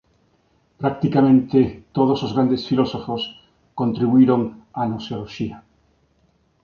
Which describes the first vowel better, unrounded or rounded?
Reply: unrounded